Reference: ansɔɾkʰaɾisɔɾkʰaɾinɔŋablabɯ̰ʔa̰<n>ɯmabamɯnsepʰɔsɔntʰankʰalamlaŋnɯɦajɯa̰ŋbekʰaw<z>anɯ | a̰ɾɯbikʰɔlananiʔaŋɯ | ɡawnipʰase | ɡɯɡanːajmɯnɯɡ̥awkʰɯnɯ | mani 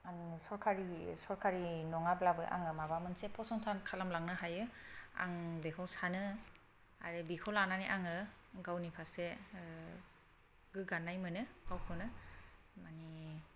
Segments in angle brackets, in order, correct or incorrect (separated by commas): incorrect, incorrect